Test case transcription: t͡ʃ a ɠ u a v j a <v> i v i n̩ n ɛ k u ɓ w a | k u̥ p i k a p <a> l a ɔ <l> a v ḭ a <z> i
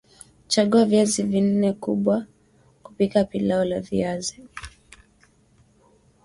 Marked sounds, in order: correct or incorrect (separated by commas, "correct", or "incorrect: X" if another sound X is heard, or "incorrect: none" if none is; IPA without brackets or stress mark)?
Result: incorrect: z, incorrect: i, correct, correct